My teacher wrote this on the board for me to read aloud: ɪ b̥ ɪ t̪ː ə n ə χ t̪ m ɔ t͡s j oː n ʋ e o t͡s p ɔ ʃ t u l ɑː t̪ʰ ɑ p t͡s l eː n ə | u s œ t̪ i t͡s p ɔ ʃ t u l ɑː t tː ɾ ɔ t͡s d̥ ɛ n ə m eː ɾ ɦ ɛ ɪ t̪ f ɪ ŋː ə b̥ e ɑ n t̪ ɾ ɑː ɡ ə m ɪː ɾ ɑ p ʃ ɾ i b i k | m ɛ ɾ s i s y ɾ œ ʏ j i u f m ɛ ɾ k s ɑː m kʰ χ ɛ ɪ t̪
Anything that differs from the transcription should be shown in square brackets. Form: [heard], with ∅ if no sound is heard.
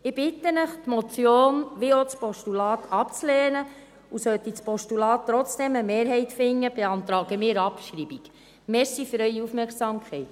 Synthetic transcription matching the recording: ɪ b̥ ɪ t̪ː ə n ə χ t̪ m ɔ t͡s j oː n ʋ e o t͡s p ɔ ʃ t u l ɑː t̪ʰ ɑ p t͡s l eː n ə | u s œ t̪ i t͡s p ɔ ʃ t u l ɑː t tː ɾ ɔ t͡s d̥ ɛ [m] ə m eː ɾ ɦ ɛ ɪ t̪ f ɪ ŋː ə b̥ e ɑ n t̪ ɾ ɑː ɡ ə m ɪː ɾ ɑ p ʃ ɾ i b i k | m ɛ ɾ s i [f] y ɾ œ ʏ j i u f m ɛ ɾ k s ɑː m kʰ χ ɛ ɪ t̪